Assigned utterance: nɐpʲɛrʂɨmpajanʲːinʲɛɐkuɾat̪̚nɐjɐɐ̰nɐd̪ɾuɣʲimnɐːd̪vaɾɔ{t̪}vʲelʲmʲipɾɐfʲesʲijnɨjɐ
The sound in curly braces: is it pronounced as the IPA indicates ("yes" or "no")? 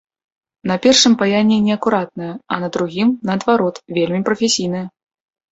yes